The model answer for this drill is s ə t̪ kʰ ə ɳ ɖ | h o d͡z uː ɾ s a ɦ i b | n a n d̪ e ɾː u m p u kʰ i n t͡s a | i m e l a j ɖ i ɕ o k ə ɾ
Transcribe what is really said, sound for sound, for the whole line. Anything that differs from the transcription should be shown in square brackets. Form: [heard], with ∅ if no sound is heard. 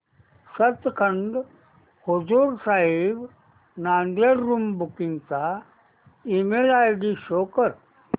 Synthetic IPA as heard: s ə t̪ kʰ ə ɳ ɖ | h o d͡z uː ɾ s a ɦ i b | n a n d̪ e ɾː u m [b] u [k] i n t͡s a | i m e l a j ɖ i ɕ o k ə ɾ